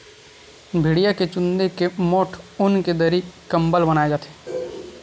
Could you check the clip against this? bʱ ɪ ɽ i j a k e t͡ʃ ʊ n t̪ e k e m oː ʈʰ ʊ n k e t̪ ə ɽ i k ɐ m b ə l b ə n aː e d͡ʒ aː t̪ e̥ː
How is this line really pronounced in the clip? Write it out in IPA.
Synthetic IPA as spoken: bʱ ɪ ɽ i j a k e t͡ʃ ʊ n d̪ e k e m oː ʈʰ ʊ n k e d̪ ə ɾ i k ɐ m b ə l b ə n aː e d͡ʒ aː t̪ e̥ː